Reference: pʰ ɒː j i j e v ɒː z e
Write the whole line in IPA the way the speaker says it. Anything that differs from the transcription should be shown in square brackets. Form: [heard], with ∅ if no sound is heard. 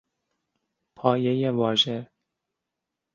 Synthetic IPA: pʰ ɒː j [e] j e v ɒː [ʒ] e